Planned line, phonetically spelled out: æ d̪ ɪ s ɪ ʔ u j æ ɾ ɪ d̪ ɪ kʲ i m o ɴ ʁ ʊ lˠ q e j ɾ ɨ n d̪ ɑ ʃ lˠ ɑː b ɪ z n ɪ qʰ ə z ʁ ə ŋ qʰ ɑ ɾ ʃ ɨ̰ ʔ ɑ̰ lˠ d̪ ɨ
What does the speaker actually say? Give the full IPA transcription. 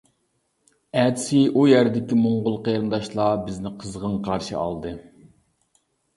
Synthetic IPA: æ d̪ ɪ s ɪ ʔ u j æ ɾ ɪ d̪ ɪ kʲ i m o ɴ ʁ ʊ lˠ q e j ɾ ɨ n d̪ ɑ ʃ lˠ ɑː b ɪ z n ɪ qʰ ə z ʁ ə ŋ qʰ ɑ ɾ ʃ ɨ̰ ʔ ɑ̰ lˠ d̪ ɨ